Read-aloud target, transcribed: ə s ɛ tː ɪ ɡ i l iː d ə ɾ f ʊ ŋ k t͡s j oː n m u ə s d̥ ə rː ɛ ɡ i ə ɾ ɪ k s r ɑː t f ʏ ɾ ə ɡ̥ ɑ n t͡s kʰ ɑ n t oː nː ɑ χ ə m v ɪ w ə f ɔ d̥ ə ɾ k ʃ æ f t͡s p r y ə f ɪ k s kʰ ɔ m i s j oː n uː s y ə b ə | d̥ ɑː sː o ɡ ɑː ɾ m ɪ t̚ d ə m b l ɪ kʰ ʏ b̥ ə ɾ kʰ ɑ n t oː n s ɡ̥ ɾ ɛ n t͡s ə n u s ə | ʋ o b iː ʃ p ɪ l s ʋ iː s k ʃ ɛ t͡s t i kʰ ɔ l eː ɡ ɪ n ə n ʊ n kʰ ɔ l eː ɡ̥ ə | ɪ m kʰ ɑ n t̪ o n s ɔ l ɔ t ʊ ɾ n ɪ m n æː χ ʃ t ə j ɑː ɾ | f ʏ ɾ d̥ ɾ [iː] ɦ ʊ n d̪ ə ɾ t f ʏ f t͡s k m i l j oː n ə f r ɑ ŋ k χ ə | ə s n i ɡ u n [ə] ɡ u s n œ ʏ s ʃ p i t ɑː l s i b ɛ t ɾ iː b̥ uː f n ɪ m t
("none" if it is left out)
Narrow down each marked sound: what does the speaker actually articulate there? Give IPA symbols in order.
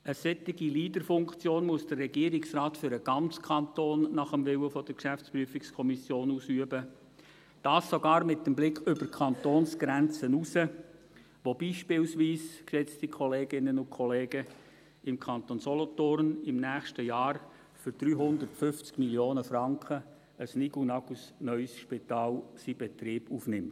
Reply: yː, ɑ

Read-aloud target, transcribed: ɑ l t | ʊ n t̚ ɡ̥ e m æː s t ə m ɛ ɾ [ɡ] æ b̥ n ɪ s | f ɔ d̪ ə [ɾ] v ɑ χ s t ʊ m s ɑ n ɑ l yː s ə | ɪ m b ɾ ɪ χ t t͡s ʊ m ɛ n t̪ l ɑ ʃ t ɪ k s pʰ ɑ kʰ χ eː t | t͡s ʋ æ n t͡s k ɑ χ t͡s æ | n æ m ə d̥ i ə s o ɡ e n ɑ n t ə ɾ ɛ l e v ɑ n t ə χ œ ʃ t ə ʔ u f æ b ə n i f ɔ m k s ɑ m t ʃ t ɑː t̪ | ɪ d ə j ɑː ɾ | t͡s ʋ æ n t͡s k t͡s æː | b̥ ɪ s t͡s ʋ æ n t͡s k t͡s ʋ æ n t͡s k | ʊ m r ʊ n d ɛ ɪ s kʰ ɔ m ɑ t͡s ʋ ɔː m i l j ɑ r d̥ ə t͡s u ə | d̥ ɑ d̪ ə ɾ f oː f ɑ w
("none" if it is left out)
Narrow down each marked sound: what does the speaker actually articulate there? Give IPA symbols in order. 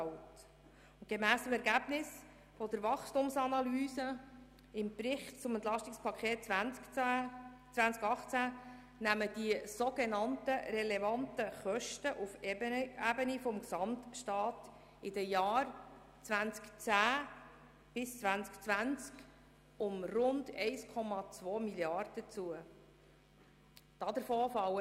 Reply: ɡ, ɾ

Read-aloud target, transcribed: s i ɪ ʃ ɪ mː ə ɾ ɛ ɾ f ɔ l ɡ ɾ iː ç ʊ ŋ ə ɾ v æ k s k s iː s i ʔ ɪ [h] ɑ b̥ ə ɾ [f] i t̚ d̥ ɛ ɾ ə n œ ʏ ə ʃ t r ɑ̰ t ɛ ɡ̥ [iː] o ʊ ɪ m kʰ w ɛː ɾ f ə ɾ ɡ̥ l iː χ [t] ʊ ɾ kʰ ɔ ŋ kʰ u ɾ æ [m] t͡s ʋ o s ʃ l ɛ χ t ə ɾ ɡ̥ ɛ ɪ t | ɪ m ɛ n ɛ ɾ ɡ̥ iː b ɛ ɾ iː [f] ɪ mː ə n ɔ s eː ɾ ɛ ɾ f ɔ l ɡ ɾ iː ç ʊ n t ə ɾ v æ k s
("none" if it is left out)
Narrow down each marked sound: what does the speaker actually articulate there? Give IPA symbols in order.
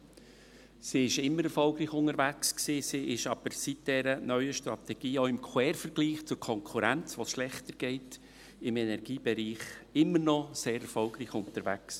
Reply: ʃ, s, iː, t͡s, n, χ

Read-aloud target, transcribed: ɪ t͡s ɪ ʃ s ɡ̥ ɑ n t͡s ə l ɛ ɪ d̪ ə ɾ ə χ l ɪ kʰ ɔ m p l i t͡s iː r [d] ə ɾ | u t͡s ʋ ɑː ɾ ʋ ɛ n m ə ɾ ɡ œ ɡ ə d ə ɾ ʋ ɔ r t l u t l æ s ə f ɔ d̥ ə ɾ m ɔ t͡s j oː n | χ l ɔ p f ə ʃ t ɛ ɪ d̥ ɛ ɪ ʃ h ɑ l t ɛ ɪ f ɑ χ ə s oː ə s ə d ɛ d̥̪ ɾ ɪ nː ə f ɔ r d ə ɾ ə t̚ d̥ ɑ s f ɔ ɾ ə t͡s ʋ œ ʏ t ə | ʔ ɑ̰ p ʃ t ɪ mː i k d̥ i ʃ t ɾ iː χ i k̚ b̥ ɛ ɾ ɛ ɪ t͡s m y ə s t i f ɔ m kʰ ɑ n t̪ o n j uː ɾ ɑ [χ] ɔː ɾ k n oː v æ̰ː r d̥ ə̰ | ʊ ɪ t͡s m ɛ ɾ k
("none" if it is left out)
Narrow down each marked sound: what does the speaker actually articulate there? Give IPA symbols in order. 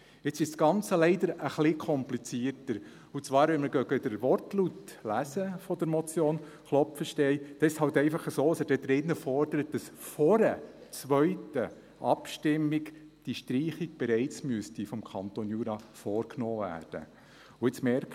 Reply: t, f

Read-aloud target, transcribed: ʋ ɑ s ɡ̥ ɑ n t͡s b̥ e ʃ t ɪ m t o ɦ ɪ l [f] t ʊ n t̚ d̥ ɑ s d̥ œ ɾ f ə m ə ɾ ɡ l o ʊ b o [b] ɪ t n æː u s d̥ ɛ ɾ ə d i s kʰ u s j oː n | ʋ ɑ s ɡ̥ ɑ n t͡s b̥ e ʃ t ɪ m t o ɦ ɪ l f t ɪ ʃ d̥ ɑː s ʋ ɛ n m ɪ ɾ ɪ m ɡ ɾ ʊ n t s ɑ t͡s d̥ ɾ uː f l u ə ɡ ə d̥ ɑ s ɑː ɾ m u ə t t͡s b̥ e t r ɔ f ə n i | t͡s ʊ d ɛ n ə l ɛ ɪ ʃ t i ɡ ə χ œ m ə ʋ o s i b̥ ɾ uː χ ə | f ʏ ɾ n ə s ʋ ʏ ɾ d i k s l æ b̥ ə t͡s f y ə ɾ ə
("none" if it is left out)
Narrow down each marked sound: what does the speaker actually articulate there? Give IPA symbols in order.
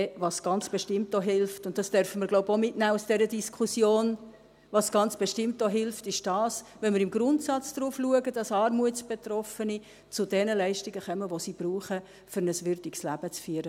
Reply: f, m

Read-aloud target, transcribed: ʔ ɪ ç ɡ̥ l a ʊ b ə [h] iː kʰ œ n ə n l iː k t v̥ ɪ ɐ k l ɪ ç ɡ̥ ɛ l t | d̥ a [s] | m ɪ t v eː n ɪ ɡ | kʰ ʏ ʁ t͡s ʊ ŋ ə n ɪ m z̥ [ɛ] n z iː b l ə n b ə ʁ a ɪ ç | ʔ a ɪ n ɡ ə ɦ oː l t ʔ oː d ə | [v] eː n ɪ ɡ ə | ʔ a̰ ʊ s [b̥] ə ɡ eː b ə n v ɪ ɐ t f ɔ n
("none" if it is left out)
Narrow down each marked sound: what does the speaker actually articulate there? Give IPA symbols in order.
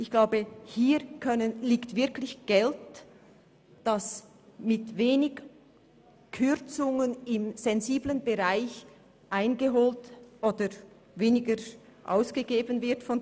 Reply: h, s, ɛ, v, ɡ̥

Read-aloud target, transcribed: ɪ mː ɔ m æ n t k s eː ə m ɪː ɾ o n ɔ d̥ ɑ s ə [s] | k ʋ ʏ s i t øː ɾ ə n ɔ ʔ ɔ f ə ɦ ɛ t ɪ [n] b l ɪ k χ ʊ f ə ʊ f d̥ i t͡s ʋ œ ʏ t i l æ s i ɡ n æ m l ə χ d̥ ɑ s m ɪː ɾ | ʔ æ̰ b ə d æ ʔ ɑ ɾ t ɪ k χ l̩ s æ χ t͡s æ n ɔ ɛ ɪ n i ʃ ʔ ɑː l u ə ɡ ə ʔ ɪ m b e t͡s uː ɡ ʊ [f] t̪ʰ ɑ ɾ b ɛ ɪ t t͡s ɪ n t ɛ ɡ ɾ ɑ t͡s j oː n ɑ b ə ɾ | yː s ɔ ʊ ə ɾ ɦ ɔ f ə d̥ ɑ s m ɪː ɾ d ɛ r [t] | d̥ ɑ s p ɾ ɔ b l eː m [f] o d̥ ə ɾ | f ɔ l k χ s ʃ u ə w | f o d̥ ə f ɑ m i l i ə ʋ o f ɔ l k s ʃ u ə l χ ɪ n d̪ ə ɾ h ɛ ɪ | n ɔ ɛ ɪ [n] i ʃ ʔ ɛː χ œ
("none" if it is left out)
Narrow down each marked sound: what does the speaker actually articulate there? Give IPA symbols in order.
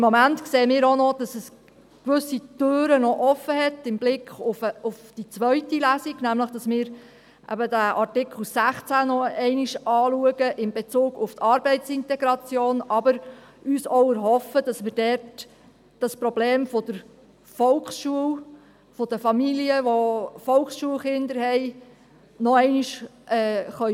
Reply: s, m, f, t, f, n

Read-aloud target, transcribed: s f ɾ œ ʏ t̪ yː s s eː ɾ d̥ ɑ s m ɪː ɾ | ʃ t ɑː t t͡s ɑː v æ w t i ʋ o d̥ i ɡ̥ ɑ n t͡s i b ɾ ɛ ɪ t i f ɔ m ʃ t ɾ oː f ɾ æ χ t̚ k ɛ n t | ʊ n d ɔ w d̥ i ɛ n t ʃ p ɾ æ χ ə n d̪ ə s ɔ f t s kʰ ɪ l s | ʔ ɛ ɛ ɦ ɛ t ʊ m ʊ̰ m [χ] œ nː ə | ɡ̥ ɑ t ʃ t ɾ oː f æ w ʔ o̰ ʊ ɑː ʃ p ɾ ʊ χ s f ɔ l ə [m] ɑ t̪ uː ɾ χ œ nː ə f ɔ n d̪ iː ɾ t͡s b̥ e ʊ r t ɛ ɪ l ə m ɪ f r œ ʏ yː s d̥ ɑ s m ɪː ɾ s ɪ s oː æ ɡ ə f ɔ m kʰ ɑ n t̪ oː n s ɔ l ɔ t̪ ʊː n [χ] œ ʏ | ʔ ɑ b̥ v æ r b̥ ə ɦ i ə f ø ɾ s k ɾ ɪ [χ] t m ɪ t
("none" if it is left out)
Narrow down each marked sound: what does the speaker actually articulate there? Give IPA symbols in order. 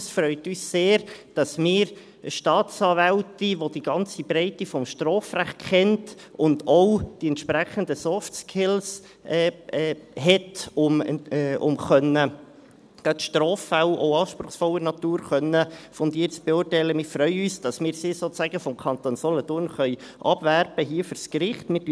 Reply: χ, n, χ, χ

